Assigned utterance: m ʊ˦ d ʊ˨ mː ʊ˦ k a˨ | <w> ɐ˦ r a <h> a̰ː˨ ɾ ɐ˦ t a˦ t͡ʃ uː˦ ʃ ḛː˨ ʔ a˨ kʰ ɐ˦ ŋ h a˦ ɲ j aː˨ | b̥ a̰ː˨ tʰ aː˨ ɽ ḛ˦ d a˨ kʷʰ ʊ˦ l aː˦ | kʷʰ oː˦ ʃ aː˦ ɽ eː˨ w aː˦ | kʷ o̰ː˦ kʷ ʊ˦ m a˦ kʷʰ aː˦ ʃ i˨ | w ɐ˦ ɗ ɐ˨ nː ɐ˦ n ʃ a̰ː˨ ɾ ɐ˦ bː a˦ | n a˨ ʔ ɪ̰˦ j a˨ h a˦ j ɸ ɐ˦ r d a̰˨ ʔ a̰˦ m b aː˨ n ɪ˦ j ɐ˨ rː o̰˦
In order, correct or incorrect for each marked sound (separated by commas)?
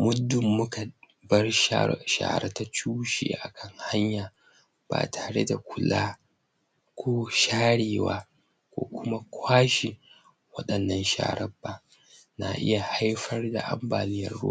incorrect, incorrect